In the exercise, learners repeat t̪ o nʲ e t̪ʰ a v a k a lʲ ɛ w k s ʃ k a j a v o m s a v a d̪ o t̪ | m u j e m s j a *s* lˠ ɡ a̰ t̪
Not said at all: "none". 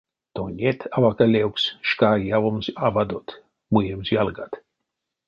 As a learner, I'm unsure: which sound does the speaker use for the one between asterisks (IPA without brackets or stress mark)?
none